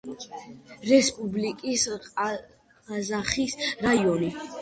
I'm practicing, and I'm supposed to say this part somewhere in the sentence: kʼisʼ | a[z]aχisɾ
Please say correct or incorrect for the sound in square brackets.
correct